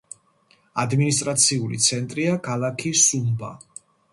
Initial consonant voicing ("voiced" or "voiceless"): voiced